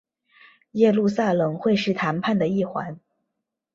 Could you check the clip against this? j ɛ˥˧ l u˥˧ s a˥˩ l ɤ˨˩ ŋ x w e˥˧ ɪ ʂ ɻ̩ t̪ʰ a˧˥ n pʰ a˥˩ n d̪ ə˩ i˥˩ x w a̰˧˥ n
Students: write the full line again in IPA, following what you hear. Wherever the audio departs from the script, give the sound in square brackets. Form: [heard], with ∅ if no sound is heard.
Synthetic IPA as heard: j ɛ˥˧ l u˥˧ s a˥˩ l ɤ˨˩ ŋ x w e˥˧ ɪ ʂ ɻ̩ t̪ʰ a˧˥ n pʰ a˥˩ n d̪ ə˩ i˥˩ x w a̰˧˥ n

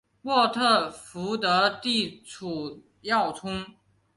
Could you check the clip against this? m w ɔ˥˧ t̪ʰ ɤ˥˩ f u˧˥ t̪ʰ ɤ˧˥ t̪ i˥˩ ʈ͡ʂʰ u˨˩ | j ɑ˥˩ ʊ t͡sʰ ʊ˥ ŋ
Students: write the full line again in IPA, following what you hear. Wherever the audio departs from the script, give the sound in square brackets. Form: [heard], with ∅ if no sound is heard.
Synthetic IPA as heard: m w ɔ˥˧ t̪ʰ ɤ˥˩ f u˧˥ [t̪] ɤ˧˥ t̪ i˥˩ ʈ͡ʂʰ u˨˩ | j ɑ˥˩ ʊ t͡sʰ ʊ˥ ŋ

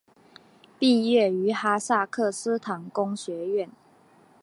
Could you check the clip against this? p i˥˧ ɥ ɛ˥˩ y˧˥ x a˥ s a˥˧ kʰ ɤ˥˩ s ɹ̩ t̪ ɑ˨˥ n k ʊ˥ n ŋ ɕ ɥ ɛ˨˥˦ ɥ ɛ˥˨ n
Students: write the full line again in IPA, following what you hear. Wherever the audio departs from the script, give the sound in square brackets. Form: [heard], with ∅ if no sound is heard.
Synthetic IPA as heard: p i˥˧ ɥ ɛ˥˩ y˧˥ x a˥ s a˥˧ kʰ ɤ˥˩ s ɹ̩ [t̪ʰ] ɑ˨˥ [ŋ] k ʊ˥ [∅] ŋ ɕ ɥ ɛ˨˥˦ ɥ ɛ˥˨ n

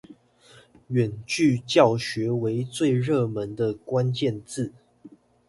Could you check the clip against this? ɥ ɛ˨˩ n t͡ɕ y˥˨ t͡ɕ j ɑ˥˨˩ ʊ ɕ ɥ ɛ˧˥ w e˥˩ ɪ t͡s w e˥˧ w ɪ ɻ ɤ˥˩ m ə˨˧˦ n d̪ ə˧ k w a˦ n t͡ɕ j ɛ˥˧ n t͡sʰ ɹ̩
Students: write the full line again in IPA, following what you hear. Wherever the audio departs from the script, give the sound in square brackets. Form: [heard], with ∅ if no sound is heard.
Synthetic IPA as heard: ɥ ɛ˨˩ n t͡ɕ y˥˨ t͡ɕ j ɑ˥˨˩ ʊ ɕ ɥ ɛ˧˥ w [e˧˥] ɪ t͡s w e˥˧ [∅] ɪ ɻ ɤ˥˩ m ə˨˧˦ n d̪ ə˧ k w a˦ n t͡ɕ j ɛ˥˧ n [t͡s] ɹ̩

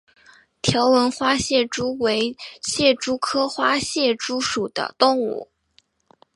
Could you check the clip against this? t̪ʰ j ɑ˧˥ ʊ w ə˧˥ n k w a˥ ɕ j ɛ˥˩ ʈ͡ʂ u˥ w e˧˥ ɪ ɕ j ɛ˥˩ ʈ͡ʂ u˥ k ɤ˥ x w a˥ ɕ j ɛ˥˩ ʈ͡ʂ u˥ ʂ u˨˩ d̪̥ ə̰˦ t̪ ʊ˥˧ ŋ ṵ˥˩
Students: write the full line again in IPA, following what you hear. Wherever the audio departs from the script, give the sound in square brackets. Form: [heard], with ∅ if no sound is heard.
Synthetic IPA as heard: t̪ʰ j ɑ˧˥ ʊ w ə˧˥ n [x] w a˥ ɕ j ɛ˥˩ ʈ͡ʂ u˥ w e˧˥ ɪ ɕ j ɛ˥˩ ʈ͡ʂ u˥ [kʰ] ɤ˥ x w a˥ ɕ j ɛ˥˩ ʈ͡ʂ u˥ ʂ u˨˩ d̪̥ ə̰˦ t̪ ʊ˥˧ ŋ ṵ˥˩

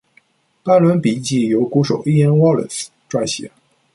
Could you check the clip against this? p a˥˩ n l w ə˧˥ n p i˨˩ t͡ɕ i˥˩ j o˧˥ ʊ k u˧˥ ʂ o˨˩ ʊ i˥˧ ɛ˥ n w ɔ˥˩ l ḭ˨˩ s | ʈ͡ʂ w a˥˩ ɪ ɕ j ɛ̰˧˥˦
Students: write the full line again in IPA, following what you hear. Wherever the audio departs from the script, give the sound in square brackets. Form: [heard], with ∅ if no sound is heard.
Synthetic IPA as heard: p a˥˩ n l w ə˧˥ n p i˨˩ t͡ɕ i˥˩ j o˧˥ ʊ k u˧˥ ʂ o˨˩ ʊ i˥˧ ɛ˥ n w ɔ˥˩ l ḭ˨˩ s | ʈ͡ʂ w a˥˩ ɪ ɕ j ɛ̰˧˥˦

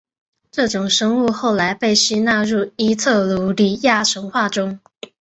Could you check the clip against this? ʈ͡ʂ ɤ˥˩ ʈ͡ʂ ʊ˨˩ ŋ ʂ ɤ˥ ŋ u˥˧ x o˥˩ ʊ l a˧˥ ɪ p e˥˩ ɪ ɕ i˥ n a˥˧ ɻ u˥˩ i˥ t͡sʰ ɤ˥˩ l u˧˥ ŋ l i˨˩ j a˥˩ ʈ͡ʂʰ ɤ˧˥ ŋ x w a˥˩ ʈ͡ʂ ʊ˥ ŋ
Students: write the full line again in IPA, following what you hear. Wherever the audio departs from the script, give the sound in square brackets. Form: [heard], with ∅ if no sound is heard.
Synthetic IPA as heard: ʈ͡ʂ ɤ˥˩ ʈ͡ʂ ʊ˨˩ ŋ ʂ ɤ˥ ŋ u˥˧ x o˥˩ ʊ l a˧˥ ɪ p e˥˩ ɪ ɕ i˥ n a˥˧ ɻ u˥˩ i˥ t͡sʰ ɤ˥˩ l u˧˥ [∅] l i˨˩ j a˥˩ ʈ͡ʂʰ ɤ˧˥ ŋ x w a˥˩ ʈ͡ʂ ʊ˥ ŋ

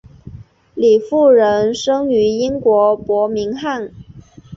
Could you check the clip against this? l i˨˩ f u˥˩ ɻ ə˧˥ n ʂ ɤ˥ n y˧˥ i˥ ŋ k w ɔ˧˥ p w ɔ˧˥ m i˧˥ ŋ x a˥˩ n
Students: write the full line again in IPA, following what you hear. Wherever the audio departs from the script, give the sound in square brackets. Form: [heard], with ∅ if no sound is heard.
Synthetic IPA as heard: l i˨˩ f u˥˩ ɻ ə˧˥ n ʂ ɤ˥ [ŋ] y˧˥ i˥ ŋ k w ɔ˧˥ p w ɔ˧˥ m i˧˥ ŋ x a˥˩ n

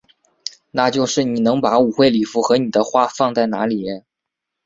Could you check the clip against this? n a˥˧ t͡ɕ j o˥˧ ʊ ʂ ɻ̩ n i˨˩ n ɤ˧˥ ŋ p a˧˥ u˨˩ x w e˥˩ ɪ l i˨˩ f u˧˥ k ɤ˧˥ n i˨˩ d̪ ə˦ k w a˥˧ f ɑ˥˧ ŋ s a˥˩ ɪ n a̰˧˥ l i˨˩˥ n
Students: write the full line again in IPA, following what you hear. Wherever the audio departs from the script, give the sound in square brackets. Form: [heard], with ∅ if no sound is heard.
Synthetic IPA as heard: n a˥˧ t͡ɕ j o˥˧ ʊ ʂ ɻ̩ n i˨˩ n ɤ˧˥ ŋ p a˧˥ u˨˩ x w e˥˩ ɪ l i˨˩ f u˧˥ [x] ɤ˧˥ n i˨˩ d̪ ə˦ [x] w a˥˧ f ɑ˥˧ ŋ [t͡s] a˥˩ ɪ n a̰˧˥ l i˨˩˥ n

